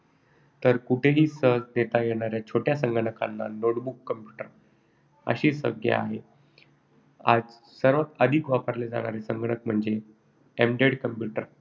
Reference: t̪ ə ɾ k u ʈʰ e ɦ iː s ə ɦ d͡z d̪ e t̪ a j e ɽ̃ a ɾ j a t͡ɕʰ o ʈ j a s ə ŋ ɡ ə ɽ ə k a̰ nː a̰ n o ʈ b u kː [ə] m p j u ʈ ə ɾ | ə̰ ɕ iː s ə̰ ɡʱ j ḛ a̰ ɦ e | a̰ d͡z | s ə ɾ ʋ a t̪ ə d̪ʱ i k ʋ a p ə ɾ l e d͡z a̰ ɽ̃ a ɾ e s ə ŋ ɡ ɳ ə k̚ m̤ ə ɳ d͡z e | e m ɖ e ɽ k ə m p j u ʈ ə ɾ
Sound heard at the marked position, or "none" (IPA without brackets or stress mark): ə